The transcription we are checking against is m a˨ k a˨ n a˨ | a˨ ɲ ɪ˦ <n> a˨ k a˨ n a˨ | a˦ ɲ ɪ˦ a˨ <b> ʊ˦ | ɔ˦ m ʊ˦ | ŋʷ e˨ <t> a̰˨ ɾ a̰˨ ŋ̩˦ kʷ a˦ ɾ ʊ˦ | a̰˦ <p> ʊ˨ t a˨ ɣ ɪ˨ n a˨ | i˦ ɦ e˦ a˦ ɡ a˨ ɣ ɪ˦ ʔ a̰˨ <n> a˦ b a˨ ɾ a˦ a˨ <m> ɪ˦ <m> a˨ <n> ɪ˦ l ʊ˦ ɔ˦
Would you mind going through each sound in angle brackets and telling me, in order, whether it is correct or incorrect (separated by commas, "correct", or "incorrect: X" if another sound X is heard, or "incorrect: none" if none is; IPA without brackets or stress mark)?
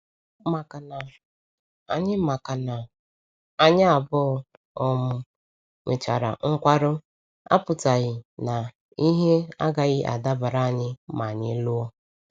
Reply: incorrect: m, correct, incorrect: t͡ʃ, correct, incorrect: d, incorrect: ɲ, correct, incorrect: ɲ